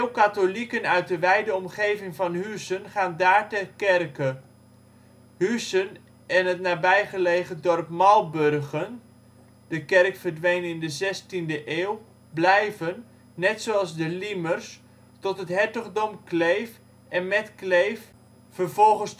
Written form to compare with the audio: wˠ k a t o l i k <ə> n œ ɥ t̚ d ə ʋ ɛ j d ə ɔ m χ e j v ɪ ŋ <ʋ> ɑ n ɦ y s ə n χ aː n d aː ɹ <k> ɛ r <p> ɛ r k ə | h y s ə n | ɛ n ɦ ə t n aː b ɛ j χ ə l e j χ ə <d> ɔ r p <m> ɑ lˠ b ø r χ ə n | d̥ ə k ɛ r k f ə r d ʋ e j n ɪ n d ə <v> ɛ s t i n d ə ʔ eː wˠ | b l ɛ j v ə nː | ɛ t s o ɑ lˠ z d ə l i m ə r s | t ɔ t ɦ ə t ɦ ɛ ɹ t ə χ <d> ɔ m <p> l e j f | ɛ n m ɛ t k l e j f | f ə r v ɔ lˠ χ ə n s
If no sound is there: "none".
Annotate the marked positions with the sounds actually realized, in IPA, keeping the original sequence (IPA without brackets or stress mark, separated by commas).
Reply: ə, v, t, k, d, m, z, d, k